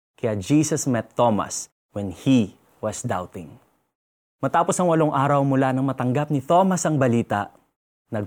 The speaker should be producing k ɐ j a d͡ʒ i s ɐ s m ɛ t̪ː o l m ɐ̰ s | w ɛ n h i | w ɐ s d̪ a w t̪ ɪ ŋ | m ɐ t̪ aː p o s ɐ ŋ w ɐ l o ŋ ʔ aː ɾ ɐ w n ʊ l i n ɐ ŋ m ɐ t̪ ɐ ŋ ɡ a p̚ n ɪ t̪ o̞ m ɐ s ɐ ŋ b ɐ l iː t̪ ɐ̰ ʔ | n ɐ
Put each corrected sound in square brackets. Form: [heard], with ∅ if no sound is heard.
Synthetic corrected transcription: k ɐ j a d͡ʒ i s ɐ s m ɛ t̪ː o [∅] m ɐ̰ s | w ɛ n h i | w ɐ s d̪ a w t̪ ɪ ŋ | m ɐ t̪ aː p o s ɐ ŋ w ɐ l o ŋ ʔ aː ɾ ɐ w [m] ʊ l [a] n ɐ ŋ m ɐ t̪ ɐ ŋ ɡ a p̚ n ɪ t̪ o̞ m ɐ s ɐ ŋ b ɐ l iː t̪ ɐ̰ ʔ | n ɐ